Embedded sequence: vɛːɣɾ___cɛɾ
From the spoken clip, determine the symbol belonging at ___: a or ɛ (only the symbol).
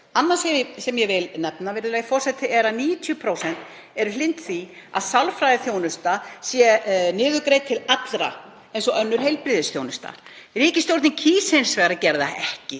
a